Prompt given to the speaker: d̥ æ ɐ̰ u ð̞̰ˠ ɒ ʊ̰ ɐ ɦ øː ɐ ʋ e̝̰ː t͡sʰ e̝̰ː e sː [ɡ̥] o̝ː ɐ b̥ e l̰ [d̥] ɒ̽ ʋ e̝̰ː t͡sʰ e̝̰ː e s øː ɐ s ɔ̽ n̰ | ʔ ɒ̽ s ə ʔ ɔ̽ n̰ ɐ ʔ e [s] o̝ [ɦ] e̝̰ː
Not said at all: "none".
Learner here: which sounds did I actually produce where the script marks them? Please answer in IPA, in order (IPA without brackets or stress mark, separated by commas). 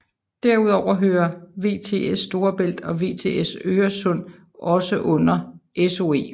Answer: d̥, d̥, s, none